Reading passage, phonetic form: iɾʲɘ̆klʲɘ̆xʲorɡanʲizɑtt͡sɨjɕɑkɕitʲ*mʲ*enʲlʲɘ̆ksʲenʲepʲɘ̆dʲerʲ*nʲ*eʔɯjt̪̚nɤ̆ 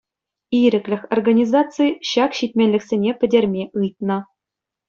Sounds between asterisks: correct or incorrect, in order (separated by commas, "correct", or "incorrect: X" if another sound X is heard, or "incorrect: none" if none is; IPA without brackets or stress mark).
correct, incorrect: mʲ